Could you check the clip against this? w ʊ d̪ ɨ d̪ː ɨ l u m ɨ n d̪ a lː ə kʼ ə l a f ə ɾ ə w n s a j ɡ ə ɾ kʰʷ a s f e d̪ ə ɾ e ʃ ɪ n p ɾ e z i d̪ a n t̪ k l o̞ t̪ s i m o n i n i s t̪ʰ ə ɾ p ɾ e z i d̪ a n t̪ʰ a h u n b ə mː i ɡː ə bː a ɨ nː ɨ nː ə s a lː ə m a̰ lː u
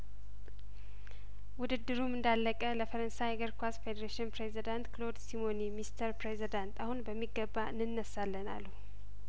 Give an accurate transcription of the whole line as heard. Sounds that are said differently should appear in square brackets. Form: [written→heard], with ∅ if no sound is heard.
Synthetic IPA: w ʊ d̪ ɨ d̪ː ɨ [l→ɾ] u m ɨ n d̪ a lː ə kʼ ə l [a→ə] f ə ɾ ə [w→∅] n s a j ɡ ə ɾ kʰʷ a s f e d̪ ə ɾ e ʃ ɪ n p ɾ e z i d̪ a n t̪ k l o̞ [t̪→d̪] s i m o n i [n→m] i s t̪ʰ ə ɾ p ɾ e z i d̪ a n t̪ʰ a h u n b ə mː i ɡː ə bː a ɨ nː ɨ nː ə s a lː ə [m→n] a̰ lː u